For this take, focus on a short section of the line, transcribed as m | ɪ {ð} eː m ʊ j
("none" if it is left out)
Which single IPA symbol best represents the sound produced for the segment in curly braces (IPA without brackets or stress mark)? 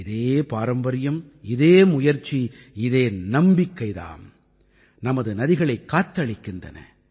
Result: ð